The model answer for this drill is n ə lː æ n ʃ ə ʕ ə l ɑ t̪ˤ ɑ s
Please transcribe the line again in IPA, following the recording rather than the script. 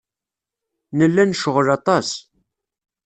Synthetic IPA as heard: n ə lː æ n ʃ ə ʁ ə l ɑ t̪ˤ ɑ s